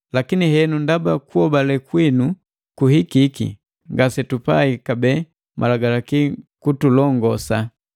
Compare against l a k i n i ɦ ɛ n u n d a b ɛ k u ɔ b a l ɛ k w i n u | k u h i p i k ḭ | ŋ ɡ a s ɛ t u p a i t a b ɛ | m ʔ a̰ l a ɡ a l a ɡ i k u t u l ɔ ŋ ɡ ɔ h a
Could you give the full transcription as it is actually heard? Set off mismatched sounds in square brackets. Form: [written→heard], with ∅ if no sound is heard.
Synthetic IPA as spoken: l a k i n i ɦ ɛ n u n d a b [ɛ→a] k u ɔ b a l ɛ k w i n u | k u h i [p→k] i k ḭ | ŋ ɡ a s ɛ t u p a i [t→k] a b ɛ | m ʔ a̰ l a ɡ a l a [ɡ→k] i k u t u l ɔ ŋ ɡ ɔ [h→s] a